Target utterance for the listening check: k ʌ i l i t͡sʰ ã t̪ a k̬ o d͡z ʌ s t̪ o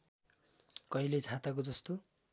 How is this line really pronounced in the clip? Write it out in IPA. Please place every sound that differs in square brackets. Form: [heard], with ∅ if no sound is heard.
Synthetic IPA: k ʌ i l [e] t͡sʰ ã t̪ a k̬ o d͡z ʌ s t̪ o